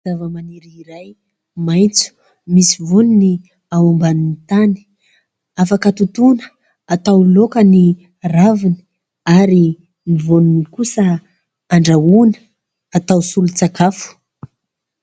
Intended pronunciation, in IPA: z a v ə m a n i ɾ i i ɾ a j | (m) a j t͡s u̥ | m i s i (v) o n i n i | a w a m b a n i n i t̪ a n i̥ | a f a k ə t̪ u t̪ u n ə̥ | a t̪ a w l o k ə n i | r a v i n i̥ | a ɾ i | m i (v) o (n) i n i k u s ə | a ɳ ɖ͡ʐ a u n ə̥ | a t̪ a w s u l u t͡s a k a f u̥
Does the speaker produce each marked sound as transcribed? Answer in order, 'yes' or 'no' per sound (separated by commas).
yes, yes, yes, yes